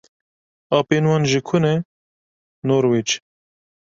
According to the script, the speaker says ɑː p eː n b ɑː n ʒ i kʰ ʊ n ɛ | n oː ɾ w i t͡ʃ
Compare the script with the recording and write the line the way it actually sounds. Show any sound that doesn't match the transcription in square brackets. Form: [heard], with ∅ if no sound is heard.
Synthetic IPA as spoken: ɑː p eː n [w] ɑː n ʒ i kʰ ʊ n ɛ | n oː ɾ w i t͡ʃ

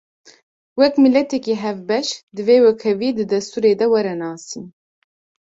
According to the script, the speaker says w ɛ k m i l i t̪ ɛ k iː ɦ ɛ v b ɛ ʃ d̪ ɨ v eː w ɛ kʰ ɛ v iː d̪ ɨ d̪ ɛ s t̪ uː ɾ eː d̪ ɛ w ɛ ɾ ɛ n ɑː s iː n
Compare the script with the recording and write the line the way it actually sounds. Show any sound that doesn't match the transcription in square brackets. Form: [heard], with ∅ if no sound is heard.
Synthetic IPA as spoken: w ɛ k m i l [ɛ] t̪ ɛ k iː ɦ ɛ v b ɛ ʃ d̪ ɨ v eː w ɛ kʰ ɛ v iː d̪ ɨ d̪ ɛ s t̪ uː ɾ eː d̪ ɛ w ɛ ɾ ɛ n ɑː s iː n

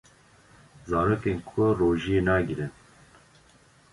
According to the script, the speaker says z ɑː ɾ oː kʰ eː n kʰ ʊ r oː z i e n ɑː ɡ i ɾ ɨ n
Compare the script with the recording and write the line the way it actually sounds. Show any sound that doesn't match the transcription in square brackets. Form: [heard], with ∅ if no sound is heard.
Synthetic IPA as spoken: z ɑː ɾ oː [k] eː n kʰ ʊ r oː [ʒ] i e n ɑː ɡ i ɾ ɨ n

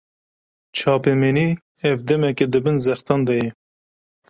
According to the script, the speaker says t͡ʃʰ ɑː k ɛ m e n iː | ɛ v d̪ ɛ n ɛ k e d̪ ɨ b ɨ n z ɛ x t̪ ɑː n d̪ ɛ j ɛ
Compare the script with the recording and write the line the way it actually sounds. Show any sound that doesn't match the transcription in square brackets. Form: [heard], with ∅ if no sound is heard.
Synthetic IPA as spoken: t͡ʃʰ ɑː [p] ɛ m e n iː | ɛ v d̪ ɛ [m] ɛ k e d̪ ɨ b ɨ n z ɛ x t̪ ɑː n d̪ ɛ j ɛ

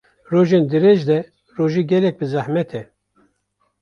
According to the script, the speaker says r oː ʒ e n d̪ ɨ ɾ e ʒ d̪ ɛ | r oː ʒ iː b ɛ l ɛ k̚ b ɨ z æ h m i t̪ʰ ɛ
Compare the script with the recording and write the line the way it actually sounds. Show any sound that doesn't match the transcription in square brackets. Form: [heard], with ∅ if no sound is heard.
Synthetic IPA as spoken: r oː ʒ e n d̪ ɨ ɾ e ʒ d̪ ɛ | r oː ʒ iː [ɡ] ɛ l ɛ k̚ b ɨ z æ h m [ɛ] t̪ʰ ɛ

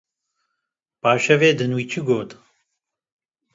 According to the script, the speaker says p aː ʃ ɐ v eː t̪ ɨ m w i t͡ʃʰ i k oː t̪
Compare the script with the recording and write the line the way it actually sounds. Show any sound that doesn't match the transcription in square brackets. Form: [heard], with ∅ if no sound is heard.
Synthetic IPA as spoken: p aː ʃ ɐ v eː [d̪] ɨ [n] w i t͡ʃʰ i [ɡ] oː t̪

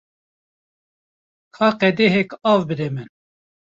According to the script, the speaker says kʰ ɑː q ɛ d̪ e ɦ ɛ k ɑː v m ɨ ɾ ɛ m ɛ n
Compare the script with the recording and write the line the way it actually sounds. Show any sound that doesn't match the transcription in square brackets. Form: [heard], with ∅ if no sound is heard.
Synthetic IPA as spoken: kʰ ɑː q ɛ d̪ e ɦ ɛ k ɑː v [b] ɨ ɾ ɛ m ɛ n

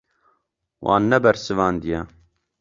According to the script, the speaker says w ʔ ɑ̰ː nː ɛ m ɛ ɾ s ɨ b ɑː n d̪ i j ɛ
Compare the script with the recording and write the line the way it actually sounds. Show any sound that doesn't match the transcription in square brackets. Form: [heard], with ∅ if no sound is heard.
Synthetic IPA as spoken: w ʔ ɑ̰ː nː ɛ [b] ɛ ɾ s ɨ [v] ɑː n d̪ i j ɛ

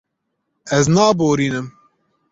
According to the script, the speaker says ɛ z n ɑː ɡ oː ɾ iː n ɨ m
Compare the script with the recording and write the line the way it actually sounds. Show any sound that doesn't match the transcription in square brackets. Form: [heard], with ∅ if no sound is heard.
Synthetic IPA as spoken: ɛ z n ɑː [b] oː ɾ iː n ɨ m

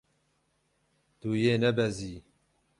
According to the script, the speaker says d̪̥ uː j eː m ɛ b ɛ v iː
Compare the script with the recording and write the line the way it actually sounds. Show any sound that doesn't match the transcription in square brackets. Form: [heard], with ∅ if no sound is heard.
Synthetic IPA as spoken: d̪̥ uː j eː [n] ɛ b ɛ [z] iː

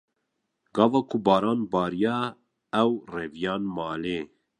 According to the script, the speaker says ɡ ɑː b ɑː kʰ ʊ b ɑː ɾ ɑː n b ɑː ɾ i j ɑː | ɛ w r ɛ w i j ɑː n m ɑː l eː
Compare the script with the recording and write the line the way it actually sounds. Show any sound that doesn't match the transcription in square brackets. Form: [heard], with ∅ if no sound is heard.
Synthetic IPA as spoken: ɡ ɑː [v] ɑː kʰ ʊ b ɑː ɾ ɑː n b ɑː ɾ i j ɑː | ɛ w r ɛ [v] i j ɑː n m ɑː l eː

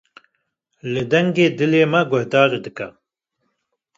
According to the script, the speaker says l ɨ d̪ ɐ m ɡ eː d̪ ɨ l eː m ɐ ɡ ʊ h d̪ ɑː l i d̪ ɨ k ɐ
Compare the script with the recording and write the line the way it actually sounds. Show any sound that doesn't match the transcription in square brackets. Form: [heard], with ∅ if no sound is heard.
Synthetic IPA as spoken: l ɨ d̪ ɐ [ŋ] ɡ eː d̪ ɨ l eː m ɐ ɡ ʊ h d̪ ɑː [ɾ] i d̪ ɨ k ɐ

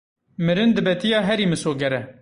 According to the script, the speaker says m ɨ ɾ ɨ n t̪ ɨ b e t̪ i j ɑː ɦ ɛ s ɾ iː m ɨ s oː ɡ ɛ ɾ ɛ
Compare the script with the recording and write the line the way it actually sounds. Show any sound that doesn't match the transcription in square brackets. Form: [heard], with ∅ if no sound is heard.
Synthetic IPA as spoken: m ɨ ɾ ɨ n [d̪] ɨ b [ɛ] t̪ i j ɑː ɦ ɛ [∅] ɾ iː m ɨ s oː ɡ ɛ ɾ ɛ

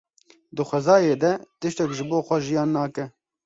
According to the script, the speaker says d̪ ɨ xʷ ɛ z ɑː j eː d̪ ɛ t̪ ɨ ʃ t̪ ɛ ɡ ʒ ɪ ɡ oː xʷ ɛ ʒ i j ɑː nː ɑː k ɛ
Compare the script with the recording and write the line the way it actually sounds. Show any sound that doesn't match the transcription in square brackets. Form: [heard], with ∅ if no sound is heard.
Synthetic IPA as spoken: d̪ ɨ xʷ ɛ z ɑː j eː d̪ ɛ t̪ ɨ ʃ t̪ ɛ [k] ʒ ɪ [b] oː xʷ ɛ ʒ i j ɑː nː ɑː k ɛ

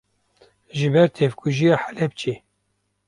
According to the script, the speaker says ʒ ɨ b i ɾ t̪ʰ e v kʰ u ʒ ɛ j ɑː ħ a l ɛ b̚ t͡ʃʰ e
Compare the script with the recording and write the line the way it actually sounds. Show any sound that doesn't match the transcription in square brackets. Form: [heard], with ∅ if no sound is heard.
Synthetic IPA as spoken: ʒ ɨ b [ɛ] ɾ t̪ʰ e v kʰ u ʒ [i] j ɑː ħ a l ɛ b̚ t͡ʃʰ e

